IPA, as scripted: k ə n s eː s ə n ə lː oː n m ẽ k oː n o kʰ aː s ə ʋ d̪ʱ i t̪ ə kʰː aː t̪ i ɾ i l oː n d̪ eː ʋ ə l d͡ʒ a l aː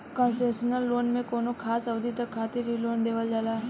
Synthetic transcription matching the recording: k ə n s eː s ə n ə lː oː n m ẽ k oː n o kʰ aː s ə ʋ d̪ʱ i t̪ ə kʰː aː t̪ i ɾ i l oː n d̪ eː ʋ ə l d͡ʒ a l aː